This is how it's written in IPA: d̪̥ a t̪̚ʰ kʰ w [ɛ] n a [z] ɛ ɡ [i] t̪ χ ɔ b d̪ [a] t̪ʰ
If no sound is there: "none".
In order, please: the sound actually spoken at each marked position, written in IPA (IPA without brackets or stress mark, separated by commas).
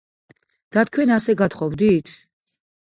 ɛ, s, a, i